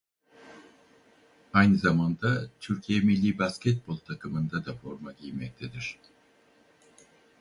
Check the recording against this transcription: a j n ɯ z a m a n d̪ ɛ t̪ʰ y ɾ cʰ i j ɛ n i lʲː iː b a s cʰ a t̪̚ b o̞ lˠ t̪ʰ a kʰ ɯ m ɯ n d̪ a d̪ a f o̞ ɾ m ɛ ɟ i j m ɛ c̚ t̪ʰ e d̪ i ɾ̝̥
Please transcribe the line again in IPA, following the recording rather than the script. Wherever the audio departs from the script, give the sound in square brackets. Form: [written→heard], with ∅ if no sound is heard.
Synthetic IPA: a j n ɯ z a m a n d̪ [ɛ→a] t̪ʰ y ɾ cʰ i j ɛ [n→m] i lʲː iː b a s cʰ [a→ɛ] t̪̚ b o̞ lˠ t̪ʰ a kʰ ɯ m ɯ n d̪ a d̪ a f o̞ ɾ m [ɛ→a] ɟ i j m ɛ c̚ t̪ʰ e d̪ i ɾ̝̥